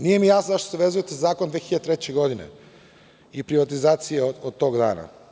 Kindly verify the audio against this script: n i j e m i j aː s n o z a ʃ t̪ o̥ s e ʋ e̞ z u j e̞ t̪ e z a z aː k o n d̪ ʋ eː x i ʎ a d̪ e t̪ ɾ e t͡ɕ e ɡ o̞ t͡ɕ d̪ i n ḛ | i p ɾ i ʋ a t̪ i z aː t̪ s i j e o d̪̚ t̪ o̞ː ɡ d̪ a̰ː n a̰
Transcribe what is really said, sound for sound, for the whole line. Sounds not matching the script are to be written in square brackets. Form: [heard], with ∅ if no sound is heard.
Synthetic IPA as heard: n i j e m i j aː s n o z a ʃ t̪ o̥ s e ʋ e̞ z u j e̞ t̪ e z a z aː k o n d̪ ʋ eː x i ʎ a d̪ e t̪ ɾ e t͡ɕ e ɡ o̞ [∅] d̪ i n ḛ | i p ɾ i ʋ a t̪ i z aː t̪ s i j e o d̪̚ t̪ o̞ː ɡ d̪ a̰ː n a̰